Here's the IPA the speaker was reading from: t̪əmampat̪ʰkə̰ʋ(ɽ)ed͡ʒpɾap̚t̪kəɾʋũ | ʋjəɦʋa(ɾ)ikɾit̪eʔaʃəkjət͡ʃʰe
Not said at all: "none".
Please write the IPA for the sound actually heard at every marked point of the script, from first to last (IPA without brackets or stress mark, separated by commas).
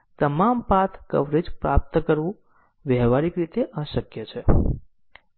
ɾ, ɾ